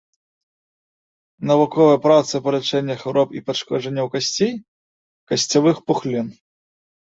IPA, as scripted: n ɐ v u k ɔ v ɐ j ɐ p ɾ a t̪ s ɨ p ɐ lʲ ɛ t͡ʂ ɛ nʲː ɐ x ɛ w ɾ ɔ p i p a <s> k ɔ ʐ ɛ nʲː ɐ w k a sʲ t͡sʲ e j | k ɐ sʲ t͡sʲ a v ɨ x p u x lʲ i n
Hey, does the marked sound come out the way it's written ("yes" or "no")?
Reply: no